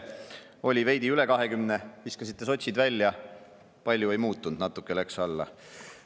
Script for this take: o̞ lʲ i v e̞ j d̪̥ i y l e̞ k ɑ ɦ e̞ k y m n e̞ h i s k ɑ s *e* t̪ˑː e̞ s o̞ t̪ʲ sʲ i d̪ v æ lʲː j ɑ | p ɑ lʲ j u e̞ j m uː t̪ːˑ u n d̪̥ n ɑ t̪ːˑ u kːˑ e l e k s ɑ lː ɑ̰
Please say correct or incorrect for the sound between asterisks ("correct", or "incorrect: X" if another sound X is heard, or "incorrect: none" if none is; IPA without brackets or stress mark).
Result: incorrect: i